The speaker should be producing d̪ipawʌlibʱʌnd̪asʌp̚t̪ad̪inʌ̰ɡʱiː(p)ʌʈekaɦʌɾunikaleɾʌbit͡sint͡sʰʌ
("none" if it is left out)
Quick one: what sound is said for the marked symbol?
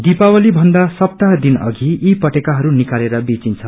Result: p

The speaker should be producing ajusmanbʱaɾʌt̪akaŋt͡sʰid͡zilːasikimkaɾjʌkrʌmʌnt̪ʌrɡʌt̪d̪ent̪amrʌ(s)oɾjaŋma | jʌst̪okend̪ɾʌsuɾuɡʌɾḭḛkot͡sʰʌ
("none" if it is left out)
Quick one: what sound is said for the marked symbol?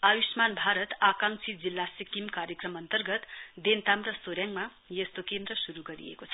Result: s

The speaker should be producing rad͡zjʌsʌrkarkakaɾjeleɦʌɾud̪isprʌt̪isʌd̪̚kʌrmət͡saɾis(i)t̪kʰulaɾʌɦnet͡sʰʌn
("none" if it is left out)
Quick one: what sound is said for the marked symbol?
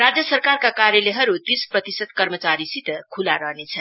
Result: i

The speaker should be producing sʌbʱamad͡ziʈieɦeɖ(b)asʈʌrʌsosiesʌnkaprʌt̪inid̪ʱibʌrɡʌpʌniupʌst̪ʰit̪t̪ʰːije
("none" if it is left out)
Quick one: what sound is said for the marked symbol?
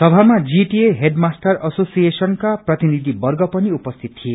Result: m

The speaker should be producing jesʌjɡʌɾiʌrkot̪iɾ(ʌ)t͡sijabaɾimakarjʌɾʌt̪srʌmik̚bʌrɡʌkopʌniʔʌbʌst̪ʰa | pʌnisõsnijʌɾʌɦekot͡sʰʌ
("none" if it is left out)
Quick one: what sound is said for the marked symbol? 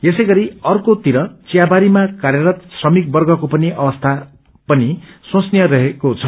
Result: ʌ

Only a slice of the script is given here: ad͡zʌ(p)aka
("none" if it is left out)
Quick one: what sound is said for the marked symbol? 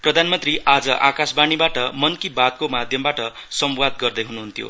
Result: ʔ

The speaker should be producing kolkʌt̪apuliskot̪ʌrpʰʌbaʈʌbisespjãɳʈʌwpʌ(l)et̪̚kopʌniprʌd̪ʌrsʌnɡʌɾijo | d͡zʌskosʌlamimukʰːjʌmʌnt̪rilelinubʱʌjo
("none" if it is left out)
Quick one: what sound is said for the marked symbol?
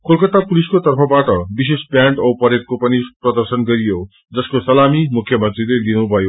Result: ɾ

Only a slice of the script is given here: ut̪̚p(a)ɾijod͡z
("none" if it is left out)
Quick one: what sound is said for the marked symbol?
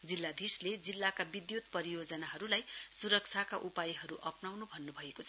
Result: ʌ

